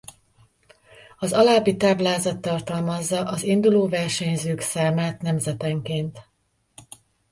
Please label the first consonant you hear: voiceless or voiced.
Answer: voiced